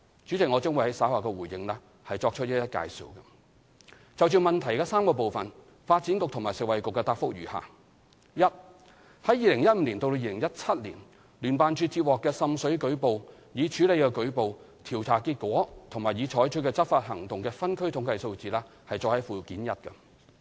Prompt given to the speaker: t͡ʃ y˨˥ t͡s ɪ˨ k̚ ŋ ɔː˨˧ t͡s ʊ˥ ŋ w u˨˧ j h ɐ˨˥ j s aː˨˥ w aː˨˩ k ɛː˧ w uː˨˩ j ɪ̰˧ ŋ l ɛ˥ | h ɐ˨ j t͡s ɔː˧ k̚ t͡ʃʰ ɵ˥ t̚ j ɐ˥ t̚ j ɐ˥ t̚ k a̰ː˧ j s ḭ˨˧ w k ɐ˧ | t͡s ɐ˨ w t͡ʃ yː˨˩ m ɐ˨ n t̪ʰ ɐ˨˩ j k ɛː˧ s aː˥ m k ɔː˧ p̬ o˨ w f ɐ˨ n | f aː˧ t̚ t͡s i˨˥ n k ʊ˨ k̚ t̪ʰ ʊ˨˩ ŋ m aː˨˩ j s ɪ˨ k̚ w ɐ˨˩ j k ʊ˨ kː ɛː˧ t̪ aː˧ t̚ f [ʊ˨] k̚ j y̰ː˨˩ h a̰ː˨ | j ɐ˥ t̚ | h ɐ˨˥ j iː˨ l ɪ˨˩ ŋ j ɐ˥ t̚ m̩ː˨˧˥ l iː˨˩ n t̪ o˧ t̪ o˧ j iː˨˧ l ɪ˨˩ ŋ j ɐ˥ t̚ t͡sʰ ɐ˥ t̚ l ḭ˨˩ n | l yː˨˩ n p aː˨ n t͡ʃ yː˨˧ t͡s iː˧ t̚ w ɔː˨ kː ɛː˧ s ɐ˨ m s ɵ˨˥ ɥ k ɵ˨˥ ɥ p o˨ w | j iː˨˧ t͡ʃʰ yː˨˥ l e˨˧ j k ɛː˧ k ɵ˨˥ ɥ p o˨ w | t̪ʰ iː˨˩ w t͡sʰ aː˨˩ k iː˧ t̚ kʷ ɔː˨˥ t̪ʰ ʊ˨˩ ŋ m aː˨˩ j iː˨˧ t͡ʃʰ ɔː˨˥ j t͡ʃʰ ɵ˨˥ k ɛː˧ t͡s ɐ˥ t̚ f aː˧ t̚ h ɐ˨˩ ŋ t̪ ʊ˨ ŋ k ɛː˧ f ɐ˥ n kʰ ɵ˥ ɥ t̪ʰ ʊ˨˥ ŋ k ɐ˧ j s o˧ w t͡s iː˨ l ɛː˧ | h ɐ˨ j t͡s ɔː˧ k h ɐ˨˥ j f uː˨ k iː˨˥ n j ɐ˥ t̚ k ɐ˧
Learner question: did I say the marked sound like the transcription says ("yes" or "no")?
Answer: no